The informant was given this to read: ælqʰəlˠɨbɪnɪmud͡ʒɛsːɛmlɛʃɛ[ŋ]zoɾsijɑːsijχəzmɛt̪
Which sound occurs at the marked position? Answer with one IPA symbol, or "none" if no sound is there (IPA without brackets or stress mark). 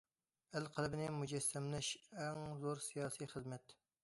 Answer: ŋ